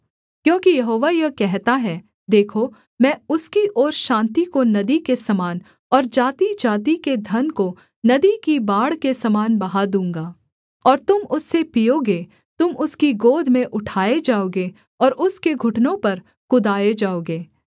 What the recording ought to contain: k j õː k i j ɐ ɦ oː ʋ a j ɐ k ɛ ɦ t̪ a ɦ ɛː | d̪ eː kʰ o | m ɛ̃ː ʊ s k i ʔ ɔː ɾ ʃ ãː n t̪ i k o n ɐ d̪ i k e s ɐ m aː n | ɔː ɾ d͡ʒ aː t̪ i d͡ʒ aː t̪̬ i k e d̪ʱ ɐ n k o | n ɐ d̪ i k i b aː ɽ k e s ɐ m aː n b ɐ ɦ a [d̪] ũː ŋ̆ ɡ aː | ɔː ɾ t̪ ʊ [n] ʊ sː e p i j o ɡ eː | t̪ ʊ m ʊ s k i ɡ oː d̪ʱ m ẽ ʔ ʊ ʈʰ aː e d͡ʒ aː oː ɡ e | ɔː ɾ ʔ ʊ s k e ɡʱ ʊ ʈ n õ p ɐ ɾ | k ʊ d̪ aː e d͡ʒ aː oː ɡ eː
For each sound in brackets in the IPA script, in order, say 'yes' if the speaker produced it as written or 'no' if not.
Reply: yes, no

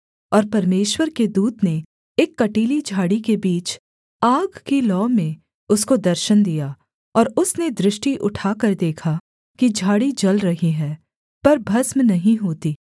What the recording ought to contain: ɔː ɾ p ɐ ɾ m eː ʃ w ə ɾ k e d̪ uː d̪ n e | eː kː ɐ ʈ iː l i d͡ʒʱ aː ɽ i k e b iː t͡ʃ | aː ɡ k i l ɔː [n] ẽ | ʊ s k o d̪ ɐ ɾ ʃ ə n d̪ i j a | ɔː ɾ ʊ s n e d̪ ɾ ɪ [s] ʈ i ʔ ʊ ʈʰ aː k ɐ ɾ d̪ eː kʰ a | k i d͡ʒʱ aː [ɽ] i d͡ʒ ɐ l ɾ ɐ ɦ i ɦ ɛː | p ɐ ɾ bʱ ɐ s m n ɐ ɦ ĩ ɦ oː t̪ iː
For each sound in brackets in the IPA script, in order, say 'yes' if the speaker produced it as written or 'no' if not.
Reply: no, no, yes

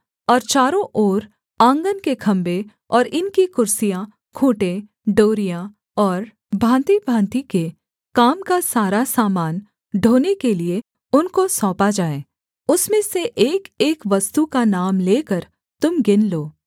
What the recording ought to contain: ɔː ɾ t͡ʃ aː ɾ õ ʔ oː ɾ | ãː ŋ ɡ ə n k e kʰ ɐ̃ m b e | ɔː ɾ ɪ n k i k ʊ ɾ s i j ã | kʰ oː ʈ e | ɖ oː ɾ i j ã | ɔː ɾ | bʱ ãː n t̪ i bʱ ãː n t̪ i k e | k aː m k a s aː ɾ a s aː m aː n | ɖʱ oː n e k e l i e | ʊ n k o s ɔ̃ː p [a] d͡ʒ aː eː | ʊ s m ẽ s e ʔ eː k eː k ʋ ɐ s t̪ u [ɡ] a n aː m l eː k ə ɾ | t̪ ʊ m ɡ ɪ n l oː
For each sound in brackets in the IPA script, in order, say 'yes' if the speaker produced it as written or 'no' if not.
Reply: yes, no

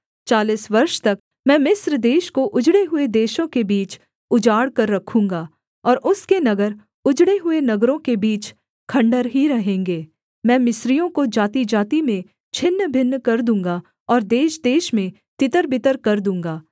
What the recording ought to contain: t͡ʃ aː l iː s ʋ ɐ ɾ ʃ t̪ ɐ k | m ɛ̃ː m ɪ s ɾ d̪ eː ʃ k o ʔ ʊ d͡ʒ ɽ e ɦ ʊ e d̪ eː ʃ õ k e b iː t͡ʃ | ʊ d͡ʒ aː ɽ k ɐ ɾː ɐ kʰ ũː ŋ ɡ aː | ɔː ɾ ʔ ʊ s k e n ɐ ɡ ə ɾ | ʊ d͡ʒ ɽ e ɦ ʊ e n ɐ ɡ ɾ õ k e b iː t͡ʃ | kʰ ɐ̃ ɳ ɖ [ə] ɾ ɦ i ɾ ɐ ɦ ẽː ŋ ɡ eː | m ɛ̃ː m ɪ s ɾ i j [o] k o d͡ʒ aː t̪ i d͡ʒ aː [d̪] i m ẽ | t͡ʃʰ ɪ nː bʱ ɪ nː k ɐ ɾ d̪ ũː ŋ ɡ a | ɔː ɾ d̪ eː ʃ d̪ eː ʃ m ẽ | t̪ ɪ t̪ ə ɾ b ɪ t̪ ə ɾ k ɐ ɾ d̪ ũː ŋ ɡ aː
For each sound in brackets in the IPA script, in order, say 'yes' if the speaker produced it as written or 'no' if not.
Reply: yes, no, no

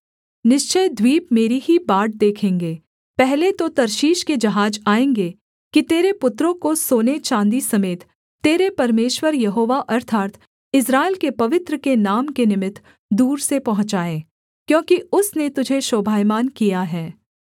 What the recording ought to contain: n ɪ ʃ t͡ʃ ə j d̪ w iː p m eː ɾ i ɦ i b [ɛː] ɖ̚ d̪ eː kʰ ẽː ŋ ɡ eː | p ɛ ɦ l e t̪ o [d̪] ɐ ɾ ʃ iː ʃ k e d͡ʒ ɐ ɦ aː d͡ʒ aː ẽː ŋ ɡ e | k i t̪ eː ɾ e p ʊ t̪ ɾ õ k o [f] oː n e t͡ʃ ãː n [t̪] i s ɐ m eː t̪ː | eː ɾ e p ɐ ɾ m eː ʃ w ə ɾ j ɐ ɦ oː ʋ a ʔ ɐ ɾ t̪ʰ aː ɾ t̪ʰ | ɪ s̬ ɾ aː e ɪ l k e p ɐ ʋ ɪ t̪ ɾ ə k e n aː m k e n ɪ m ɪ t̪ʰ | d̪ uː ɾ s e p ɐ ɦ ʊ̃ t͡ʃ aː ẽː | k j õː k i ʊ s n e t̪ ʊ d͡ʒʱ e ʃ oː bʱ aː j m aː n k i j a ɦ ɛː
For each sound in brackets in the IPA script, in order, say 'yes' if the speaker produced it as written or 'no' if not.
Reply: no, no, no, no

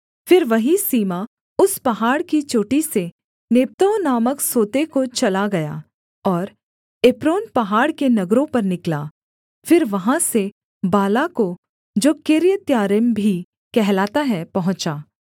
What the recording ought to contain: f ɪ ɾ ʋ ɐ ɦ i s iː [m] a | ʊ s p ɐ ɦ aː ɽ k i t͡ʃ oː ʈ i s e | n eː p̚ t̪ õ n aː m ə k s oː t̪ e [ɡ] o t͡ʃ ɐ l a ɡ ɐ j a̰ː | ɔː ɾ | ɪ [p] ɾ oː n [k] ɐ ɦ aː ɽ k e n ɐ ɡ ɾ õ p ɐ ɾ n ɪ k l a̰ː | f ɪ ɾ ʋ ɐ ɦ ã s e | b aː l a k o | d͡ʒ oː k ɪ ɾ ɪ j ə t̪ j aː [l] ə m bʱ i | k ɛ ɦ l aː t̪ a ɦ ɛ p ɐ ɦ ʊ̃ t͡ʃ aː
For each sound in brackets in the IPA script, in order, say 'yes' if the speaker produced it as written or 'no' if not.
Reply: yes, no, yes, no, no

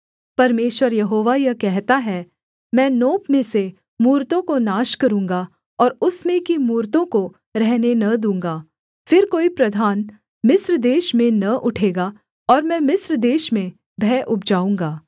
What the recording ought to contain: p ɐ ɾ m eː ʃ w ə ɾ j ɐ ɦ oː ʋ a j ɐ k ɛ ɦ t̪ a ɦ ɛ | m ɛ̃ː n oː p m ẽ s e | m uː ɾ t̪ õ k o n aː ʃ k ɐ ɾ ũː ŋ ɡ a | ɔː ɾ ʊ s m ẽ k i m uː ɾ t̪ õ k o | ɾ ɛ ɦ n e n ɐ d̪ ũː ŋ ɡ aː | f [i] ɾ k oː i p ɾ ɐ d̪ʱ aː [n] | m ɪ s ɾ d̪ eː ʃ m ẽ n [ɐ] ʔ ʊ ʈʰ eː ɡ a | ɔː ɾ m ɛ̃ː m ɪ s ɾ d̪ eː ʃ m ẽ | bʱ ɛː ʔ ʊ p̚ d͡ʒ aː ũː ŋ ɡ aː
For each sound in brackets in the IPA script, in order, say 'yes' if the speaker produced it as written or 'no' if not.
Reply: no, yes, yes

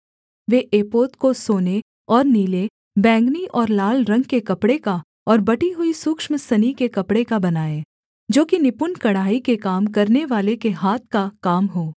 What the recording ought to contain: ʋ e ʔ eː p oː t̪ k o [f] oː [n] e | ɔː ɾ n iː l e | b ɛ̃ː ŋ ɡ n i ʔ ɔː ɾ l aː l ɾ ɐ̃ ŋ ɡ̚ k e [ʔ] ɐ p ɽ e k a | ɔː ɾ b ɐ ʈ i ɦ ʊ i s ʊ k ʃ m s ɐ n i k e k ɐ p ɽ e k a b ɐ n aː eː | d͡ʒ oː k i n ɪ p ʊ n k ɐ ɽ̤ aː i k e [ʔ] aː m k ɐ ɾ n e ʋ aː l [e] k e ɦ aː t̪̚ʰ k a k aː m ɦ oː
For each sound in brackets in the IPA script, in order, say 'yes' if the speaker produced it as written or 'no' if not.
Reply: no, yes, no, no, yes

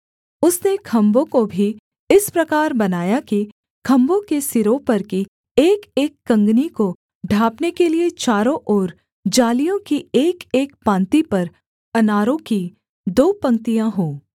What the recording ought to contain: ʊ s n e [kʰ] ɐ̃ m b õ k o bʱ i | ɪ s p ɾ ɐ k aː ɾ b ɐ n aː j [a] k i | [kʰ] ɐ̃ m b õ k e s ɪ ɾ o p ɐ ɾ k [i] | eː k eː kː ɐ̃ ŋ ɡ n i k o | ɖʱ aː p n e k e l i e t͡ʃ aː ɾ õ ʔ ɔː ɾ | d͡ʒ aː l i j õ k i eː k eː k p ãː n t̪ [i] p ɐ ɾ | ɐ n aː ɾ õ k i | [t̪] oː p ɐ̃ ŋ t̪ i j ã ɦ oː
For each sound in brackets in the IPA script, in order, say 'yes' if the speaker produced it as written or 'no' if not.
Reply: yes, yes, yes, yes, yes, no

